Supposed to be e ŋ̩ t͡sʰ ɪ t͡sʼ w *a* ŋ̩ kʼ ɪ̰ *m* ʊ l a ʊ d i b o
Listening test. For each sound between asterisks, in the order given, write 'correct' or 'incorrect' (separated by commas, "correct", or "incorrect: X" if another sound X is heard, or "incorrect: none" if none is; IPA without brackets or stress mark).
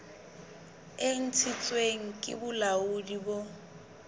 incorrect: e, incorrect: b